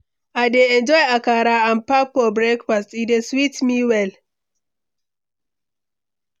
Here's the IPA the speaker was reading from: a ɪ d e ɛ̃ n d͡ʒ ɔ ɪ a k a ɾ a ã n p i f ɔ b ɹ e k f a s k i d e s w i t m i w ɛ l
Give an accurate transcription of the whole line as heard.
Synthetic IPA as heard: a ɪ d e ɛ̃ n d͡ʒ ɔ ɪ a k a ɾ a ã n p a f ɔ b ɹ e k f a s t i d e s w i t m i w ɛ l